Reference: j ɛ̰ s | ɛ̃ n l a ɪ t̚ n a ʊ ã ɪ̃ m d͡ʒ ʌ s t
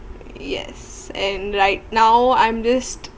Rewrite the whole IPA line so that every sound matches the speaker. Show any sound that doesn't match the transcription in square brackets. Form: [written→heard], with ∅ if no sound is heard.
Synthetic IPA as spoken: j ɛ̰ s | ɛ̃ n [l→ɹ] a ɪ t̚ n a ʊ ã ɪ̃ m d͡ʒ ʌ s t